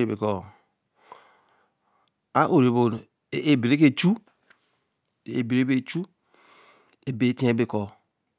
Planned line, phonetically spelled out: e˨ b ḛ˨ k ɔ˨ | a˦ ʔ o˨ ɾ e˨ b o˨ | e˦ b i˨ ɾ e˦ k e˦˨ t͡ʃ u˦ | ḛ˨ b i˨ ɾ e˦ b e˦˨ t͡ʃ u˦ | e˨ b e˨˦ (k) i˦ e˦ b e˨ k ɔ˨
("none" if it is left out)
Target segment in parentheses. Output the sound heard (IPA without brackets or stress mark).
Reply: t